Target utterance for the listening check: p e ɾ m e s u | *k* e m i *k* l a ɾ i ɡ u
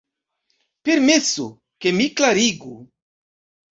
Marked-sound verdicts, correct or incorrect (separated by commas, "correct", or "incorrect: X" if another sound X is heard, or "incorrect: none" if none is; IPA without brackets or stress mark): correct, correct